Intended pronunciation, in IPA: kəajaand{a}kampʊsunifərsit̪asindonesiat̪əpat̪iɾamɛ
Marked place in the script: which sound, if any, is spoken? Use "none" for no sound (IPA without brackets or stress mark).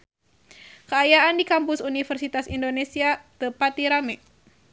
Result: i